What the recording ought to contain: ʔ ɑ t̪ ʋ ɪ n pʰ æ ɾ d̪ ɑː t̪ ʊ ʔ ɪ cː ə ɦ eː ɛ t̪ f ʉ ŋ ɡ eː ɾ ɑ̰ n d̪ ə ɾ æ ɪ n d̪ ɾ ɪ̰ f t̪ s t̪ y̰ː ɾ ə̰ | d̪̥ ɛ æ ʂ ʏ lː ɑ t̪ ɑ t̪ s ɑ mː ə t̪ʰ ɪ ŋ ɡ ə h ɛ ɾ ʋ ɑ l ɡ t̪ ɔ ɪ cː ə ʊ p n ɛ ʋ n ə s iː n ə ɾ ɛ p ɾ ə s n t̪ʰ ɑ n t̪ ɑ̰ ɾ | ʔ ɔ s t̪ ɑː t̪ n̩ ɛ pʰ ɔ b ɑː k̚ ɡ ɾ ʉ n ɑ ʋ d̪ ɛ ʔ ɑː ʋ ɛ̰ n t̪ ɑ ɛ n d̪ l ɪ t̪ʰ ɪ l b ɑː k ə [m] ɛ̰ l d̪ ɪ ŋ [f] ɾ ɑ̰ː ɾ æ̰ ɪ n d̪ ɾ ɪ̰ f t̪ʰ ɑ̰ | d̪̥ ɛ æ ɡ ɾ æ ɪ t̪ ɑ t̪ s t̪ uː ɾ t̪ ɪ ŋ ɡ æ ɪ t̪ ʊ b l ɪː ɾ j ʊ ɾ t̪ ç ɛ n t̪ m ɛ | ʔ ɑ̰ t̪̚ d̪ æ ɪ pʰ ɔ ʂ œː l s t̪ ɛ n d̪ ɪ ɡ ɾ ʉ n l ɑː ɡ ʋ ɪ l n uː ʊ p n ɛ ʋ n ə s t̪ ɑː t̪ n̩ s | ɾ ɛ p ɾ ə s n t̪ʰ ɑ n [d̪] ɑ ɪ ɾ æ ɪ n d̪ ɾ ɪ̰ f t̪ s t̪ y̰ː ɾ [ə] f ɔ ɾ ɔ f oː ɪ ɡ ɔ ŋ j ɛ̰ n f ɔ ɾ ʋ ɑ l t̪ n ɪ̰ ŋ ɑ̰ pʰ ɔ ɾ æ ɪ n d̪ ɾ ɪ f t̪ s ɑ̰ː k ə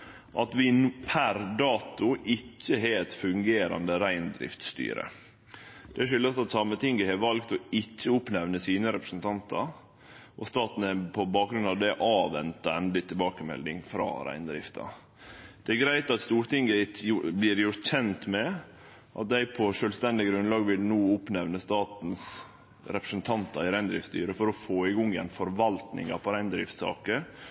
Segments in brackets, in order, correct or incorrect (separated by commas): correct, correct, incorrect, correct